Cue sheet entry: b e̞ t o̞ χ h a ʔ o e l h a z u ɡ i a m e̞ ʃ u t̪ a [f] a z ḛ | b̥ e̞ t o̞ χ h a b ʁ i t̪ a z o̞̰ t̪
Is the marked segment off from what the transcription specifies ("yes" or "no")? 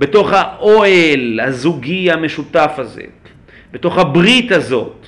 no